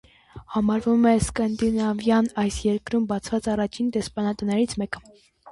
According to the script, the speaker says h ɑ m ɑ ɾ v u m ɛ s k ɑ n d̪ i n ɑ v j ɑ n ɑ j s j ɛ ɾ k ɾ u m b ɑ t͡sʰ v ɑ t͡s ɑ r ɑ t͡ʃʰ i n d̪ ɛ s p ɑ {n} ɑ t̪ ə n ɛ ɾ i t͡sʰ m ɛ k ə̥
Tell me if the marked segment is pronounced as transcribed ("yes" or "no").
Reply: yes